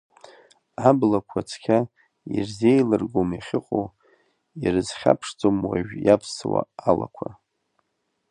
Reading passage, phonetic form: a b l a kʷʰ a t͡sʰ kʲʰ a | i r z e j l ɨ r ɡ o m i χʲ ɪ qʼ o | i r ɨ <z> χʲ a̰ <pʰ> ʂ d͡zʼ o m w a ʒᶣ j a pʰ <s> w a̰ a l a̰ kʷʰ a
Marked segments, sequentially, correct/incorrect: correct, correct, correct

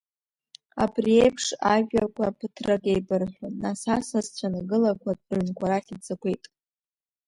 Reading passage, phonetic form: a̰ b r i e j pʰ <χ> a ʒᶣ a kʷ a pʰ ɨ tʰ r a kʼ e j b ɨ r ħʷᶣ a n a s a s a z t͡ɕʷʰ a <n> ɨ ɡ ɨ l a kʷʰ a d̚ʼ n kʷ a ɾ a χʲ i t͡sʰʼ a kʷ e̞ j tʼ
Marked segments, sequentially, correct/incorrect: incorrect, correct

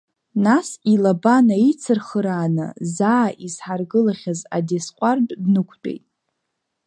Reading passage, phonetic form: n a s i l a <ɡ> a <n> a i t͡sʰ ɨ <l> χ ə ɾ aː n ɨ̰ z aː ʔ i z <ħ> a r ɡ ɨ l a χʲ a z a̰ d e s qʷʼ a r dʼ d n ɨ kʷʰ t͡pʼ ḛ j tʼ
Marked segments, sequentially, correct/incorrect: incorrect, correct, incorrect, correct

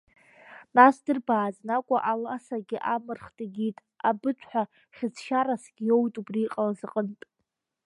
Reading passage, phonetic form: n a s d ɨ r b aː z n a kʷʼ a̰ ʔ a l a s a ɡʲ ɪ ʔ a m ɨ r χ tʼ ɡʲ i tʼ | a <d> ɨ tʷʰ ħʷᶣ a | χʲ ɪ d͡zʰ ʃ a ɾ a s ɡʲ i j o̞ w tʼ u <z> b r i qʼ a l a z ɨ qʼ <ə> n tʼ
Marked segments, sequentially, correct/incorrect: incorrect, incorrect, correct

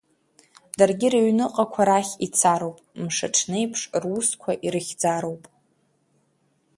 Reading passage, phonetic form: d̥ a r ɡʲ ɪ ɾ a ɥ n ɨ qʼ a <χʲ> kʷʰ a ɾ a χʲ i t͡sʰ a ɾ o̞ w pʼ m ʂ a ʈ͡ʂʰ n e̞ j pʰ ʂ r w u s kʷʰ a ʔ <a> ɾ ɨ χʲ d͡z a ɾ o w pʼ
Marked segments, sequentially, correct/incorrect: incorrect, incorrect

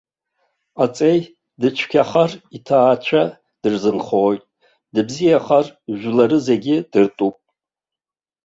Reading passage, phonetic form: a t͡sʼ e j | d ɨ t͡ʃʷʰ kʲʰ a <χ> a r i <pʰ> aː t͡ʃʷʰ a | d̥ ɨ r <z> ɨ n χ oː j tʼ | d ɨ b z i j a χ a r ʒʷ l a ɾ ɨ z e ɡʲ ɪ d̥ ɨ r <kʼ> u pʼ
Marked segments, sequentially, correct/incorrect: correct, incorrect, correct, incorrect

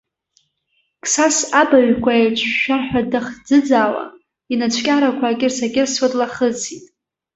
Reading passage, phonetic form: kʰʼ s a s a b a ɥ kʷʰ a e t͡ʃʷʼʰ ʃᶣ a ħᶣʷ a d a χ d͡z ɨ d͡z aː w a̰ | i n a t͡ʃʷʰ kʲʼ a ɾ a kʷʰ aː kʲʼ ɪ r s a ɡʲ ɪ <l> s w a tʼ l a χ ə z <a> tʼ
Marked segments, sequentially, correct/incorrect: incorrect, incorrect

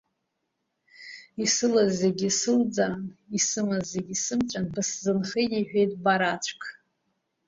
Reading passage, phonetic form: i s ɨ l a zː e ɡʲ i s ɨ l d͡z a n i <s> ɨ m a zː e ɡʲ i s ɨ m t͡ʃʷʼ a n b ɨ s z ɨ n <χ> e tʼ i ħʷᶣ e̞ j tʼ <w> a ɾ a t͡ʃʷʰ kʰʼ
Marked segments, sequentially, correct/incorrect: correct, correct, incorrect

